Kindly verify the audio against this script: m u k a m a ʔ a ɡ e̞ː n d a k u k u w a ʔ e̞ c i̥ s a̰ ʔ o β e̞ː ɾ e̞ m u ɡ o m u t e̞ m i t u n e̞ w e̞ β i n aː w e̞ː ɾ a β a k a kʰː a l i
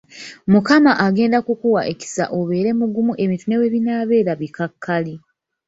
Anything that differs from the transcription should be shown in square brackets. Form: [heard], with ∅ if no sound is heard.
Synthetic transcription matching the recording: m u k a m a ʔ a ɡ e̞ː n d a k u k u w a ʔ e̞ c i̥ s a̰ ʔ o β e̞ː ɾ e̞ m u ɡ [u] m u [ʔ] e̞ m i t u n e̞ w e̞ β i n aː [β] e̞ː ɾ a β [i] k a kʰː a l i